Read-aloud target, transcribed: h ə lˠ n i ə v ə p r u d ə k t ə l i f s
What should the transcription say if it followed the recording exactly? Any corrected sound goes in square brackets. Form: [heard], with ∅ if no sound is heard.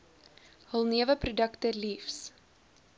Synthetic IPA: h ə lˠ n i ə v ə p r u d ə k t ə l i f s